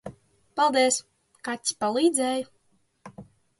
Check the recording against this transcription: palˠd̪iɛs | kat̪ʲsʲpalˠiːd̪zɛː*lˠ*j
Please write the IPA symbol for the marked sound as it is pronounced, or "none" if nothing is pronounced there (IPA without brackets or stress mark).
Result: none